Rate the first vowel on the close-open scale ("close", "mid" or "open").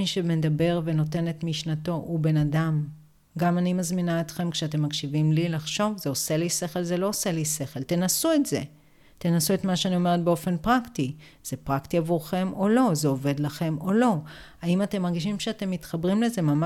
close